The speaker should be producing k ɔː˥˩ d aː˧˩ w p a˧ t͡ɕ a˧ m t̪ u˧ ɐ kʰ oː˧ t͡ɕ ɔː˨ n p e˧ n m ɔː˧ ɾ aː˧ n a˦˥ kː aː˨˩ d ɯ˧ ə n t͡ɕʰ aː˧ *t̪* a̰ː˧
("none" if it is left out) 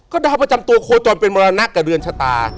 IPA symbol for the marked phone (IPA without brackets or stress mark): t̪